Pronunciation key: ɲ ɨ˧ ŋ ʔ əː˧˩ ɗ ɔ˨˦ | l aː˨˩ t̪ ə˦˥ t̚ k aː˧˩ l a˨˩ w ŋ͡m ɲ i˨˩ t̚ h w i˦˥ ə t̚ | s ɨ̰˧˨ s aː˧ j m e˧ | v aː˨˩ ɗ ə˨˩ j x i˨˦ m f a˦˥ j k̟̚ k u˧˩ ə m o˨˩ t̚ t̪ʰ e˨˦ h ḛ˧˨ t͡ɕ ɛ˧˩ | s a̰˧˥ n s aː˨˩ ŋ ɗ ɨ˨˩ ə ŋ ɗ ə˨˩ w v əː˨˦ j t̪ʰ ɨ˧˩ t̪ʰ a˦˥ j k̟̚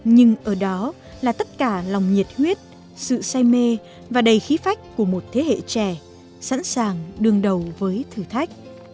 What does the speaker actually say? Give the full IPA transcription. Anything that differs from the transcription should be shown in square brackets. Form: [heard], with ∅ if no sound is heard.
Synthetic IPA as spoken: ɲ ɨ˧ ŋ ʔ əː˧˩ ɗ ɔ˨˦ | l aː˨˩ t̪ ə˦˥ t̚ k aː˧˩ l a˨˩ w ŋ͡m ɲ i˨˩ t̚ h w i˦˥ ə t̚ | s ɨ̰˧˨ s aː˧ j m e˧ | v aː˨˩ ɗ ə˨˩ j x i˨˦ [∅] f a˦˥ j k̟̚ k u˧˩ ə m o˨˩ t̚ t̪ʰ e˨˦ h ḛ˧˨ t͡ɕ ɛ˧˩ | s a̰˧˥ n s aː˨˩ ŋ ɗ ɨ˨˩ ə ŋ ɗ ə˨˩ w v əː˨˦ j t̪ʰ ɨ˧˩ t̪ʰ a˦˥ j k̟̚